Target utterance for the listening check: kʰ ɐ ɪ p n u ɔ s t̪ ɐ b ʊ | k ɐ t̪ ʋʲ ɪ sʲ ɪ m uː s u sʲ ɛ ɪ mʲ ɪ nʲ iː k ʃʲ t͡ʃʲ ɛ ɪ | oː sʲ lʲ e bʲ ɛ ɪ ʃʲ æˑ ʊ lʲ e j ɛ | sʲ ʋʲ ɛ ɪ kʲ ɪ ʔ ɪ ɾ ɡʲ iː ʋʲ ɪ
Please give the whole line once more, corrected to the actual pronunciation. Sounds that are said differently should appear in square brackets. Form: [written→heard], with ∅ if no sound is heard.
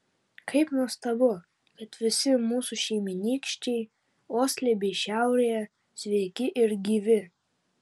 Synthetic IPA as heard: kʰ ɐ ɪ p n u ɔ s t̪ ɐ b ʊ | k ɐ t̪ ʋʲ ɪ sʲ ɪ m uː s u [sʲ→ʃʲ] ɛ ɪ mʲ ɪ nʲ iː k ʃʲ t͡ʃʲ ɛ ɪ | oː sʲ lʲ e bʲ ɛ ɪ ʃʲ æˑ ʊ [lʲ→ɾʲ] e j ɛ | sʲ ʋʲ ɛ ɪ kʲ ɪ ʔ ɪ ɾ ɡʲ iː ʋʲ ɪ